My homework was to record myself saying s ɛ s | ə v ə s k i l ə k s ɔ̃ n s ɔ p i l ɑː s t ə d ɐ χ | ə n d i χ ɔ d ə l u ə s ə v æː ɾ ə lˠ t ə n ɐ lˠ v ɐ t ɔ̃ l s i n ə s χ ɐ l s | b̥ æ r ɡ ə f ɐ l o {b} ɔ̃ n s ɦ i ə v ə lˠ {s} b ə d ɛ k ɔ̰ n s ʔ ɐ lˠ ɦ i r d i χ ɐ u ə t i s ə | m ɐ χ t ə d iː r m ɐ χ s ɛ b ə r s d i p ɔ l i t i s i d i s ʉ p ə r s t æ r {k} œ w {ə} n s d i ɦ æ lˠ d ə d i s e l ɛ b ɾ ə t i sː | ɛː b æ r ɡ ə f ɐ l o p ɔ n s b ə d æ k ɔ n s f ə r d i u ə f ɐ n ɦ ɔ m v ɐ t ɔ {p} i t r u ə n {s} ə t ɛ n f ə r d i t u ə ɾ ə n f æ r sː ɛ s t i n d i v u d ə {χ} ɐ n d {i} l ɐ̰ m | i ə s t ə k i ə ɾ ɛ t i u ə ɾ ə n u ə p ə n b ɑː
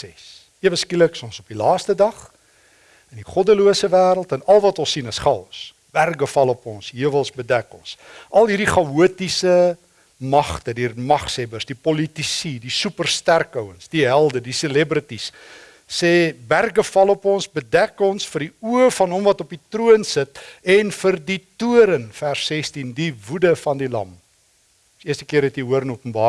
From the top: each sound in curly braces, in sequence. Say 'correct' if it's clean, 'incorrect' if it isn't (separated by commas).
incorrect, correct, correct, correct, correct, correct, incorrect, correct